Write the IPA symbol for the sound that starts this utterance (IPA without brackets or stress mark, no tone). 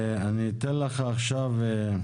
a